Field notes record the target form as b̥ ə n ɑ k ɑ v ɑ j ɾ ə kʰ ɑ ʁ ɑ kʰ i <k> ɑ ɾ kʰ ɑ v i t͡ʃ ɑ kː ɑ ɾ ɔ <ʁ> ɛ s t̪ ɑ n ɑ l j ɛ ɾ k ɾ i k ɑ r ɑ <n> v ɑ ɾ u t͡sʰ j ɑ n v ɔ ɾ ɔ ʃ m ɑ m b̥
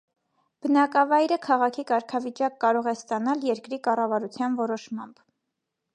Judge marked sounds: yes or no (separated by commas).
yes, yes, no